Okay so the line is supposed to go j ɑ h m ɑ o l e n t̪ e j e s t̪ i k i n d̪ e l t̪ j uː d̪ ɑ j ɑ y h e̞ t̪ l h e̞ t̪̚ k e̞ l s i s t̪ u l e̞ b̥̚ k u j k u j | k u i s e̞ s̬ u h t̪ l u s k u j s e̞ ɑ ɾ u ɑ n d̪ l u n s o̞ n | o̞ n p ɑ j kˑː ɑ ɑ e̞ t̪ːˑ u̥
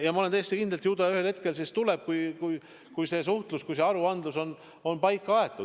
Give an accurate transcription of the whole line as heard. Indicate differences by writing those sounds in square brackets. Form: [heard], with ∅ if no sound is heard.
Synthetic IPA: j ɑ [∅] m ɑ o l e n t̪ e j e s t̪ i k i n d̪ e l t̪ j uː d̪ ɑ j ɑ y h e̞ [∅] l h e̞ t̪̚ k e̞ l s i s t̪ u l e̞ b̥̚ k u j k u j | k u [j] s e̞ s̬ u h t̪ l u s k u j s e̞ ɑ ɾ u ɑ n d̪ l u [∅] s o̞ n | o̞ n p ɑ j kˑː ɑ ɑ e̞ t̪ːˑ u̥